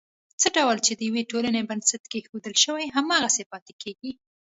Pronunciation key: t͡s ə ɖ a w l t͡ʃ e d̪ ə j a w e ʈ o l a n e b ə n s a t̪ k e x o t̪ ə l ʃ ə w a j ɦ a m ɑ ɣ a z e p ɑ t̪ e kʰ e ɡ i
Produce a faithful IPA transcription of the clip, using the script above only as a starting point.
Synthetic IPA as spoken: t͡s ə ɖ a w l t͡ʃ e d̪ ə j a w e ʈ o l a n e b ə n s a t̪ k e x o d̪ ə l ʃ ə w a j ɦ a m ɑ ɣ a s e p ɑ t̪ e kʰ e ɡ i